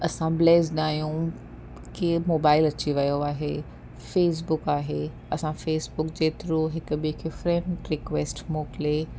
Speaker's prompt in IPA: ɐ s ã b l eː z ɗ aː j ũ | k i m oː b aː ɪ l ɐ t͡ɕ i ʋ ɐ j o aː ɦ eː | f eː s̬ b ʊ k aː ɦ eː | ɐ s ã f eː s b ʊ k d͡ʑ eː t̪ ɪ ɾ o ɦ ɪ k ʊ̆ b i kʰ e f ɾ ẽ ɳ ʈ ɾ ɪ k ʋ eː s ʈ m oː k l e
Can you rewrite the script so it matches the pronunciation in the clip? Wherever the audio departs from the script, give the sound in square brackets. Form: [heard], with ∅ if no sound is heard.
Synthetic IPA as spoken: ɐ s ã b l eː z ɗ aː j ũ | k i m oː b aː ɪ l ɐ t͡ɕ i ʋ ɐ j o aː ɦ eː | f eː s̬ b ʊ k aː ɦ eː | ɐ s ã f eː s b ʊ k d͡ʑ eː t̪ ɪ ɾ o ɦ ɪ k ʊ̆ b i kʰ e f ɾ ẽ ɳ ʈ ɾ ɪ k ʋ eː s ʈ m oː k l e